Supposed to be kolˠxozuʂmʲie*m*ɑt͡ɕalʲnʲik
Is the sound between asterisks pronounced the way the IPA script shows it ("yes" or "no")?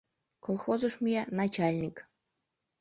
no